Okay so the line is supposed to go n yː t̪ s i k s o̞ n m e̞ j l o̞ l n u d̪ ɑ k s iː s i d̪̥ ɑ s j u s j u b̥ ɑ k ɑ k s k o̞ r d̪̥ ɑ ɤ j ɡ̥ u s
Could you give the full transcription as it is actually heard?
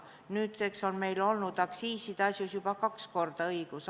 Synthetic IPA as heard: n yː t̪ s e k s o̞ n m e̞ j l o̞ l n u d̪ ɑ k s iː s i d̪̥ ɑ s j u s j u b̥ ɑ k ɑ k s k o̞ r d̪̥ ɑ ɤ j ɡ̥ u s